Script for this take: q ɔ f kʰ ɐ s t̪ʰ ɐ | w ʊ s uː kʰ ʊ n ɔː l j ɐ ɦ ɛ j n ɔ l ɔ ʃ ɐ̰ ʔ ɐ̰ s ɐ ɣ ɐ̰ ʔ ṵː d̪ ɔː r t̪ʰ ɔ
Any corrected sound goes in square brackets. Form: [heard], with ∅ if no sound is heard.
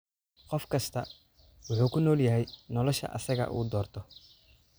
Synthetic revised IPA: q ɔ f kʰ ɐ s t̪ʰ ɐ | w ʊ [ħ] uː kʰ ʊ n ɔː l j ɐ ɦ ɛ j n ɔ l ɔ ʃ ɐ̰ ʔ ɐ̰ s ɐ ɣ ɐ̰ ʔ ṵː d̪ ɔː r t̪ʰ ɔ